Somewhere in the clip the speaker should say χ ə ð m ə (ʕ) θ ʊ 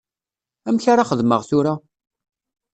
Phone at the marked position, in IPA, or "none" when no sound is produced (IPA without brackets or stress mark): ʁ